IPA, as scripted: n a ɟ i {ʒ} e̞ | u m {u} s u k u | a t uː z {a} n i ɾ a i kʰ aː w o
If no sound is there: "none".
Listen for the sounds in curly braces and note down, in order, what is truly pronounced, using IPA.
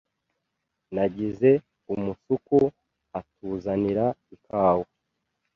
z, u, a

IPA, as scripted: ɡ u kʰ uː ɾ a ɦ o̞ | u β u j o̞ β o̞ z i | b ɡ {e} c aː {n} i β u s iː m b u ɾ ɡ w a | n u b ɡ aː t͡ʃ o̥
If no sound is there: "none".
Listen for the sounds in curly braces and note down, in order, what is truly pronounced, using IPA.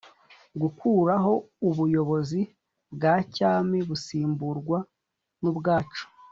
a, m

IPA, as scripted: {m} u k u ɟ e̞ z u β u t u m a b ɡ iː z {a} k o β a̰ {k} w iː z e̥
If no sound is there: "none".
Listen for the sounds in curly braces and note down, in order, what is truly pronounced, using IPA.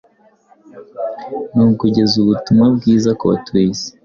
n, a, t

